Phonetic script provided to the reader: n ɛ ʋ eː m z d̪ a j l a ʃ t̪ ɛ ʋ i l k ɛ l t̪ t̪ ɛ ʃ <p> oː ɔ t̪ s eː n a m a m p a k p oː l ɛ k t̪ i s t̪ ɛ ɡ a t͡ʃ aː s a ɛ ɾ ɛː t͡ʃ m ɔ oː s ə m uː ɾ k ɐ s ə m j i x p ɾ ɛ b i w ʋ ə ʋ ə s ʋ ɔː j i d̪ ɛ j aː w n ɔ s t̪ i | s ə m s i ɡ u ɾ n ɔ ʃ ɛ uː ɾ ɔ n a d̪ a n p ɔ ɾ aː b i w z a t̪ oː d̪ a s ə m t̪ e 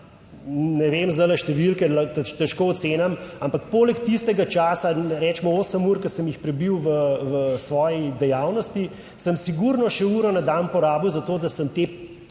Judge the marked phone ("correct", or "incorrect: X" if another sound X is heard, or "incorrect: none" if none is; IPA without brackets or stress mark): incorrect: k